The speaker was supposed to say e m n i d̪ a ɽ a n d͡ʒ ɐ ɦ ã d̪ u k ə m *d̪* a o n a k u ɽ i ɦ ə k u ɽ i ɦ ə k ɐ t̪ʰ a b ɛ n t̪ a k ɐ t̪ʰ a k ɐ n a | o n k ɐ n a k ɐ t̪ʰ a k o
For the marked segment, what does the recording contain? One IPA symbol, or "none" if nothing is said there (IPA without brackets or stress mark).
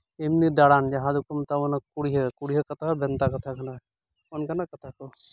t̪